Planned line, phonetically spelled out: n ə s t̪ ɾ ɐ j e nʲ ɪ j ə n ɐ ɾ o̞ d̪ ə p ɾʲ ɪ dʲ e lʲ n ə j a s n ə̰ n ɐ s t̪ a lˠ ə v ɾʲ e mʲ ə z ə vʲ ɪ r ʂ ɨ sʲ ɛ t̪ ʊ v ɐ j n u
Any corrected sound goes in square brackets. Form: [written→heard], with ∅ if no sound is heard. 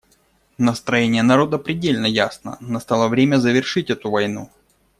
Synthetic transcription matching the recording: n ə s t̪ ɾ ɐ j e nʲ ɪ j ə n ɐ ɾ o̞ d̪ ə p ɾʲ ɪ dʲ e lʲ n ə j a s n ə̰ n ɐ s t̪ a lˠ ə v ɾʲ e mʲ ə z ə vʲ ɪ r ʂ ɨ [sʲ→tʲ] ɛ t̪ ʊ v ɐ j n u